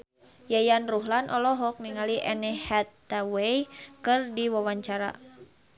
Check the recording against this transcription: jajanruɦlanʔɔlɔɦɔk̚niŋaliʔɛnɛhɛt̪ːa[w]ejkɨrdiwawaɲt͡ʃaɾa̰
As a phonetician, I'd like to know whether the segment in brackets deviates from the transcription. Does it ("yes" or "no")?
no